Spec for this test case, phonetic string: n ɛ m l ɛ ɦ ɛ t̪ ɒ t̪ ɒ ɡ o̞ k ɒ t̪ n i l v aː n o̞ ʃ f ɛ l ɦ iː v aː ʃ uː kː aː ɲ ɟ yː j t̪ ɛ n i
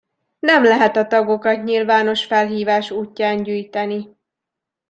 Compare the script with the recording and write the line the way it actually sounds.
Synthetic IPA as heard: n ɛ m l ɛ ɦ ɛ t̪ ɒ t̪ ɒ ɡ o̞ k ɒ t̪ ɲ i l v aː n o̞ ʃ f ɛ l ɦ iː v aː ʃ uː cː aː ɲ ɟ yː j t̪ ɛ n i